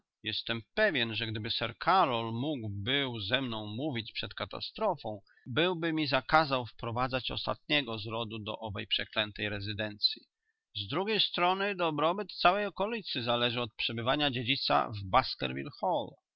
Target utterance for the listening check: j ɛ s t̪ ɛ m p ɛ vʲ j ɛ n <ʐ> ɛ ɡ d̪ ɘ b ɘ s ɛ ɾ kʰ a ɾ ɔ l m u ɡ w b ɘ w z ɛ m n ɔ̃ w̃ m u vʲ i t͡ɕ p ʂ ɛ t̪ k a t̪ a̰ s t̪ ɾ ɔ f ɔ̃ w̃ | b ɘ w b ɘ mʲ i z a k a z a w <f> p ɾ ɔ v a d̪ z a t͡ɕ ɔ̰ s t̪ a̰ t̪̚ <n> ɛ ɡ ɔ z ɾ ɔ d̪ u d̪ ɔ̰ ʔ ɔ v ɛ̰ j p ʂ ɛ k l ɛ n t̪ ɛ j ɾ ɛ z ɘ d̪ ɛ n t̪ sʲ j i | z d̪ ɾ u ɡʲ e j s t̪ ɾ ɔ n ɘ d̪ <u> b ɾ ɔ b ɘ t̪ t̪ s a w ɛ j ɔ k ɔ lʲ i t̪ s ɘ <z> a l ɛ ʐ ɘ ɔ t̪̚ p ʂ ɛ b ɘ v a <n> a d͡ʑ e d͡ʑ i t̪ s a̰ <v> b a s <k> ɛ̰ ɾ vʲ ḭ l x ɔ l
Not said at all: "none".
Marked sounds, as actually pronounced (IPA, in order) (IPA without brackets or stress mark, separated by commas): ʐ, f, ɲ, ɔ, z, ɲ, v, k